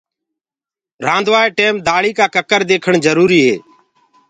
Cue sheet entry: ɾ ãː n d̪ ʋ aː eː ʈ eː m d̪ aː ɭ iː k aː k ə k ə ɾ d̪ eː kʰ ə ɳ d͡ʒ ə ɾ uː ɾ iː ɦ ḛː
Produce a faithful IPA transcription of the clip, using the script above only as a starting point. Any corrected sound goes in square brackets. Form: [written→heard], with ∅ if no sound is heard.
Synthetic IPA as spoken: ɾ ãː n d̪ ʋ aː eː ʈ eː m d̪ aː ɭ iː k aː k ə k ə ɾ d̪ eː kʰ ə ɳ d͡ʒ ə ɾ uː ɾ iː ɦ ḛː